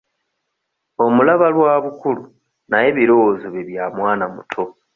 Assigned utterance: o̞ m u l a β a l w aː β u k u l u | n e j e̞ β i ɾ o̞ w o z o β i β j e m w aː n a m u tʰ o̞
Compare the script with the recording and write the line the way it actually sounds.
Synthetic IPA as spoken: o̞ m u l a β a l w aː β u k u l u | n a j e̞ β i ɾ o̞ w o z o β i β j a m w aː n a m u tʰ o̞